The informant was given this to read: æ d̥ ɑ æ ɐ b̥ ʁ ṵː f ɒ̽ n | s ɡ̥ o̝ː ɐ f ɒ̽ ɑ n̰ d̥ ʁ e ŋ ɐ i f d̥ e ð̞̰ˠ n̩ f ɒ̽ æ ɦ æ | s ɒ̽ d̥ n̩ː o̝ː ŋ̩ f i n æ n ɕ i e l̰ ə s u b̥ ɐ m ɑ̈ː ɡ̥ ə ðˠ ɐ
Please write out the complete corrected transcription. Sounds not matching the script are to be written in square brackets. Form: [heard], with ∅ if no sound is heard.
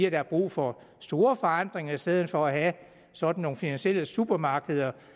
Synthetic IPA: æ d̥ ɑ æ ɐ b̥ ʁ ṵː f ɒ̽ [∅] | s [d̥] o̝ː ɐ f ɒ̽ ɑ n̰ d̥ ʁ e ŋ ɐ i [s] d̥ e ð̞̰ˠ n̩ f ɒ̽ æ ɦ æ | s ɒ̽ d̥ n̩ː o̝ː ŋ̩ f i n æ n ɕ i e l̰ ə s u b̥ ɐ m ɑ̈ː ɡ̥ ə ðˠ ɐ